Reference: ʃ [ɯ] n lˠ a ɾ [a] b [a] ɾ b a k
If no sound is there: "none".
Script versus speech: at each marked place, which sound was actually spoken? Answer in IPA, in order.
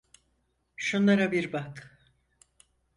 u, a, i

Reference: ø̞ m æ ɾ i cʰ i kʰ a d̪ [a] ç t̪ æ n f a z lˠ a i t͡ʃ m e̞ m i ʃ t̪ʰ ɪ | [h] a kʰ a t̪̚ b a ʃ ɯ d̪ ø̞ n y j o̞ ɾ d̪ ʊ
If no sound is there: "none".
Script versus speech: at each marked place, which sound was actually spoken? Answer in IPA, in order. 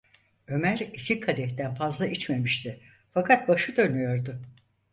ɛ, f

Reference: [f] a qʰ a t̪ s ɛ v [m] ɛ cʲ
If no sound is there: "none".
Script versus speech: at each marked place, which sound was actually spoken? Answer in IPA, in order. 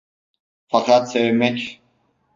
f, m

